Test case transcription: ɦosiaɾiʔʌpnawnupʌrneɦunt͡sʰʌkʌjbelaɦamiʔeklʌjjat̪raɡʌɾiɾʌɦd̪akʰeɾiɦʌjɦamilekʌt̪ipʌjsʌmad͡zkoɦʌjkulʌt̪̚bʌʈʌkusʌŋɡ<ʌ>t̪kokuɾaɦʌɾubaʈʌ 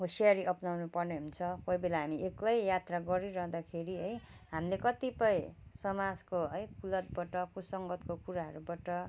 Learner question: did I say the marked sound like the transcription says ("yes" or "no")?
yes